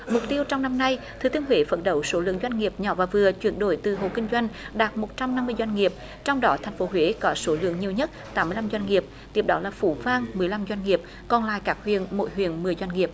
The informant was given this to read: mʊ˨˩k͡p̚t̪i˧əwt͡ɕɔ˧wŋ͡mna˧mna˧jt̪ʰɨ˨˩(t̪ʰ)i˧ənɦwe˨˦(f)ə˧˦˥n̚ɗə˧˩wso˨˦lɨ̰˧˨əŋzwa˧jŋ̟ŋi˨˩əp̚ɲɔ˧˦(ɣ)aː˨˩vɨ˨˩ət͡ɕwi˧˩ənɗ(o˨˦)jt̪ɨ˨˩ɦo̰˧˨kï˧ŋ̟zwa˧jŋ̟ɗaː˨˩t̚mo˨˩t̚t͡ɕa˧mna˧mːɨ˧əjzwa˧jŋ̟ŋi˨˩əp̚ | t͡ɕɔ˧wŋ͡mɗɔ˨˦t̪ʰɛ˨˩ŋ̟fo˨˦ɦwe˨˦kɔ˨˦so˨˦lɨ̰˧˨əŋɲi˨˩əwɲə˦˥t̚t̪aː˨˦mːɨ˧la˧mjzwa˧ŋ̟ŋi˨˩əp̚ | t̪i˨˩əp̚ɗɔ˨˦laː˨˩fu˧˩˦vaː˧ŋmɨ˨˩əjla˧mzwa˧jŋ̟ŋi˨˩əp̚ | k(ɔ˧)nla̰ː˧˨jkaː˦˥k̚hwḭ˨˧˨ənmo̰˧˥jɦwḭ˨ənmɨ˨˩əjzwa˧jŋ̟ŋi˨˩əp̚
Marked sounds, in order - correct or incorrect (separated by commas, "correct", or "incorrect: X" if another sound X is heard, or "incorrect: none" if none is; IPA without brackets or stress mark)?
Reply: incorrect: t̪, correct, incorrect: v, incorrect: o˧˩, incorrect: ɔ˨˩